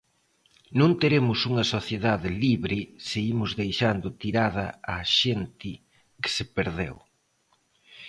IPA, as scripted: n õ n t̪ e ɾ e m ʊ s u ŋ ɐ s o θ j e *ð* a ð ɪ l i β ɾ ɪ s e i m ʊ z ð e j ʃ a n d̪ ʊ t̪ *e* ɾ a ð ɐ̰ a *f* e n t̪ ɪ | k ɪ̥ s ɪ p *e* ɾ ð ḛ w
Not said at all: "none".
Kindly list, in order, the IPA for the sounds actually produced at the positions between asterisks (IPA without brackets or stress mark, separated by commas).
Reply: ð, i, ʃ, e